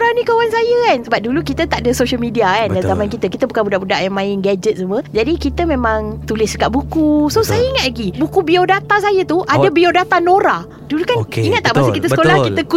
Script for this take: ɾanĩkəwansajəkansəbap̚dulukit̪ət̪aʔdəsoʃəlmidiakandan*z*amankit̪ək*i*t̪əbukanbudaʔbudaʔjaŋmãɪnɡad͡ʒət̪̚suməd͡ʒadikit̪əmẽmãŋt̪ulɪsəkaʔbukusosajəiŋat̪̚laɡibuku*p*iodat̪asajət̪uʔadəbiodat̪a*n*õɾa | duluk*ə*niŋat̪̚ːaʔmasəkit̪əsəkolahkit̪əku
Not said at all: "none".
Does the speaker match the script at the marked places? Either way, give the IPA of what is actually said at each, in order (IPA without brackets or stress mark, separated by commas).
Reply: z, i, b, n, a